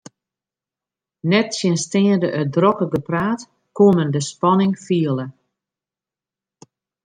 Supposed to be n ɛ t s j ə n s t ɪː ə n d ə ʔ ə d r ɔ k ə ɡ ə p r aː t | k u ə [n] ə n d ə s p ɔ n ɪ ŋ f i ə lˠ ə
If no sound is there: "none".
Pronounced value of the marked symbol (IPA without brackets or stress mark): m